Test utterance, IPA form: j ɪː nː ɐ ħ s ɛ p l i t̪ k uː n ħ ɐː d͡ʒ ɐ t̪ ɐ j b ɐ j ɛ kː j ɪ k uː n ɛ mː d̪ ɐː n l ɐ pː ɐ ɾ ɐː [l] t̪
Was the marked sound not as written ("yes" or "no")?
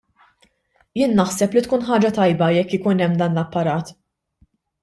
yes